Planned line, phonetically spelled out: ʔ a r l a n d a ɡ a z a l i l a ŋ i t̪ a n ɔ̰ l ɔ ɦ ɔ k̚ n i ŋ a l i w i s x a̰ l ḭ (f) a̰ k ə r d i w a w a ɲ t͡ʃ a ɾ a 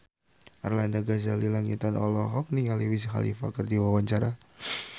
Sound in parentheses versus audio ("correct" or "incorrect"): correct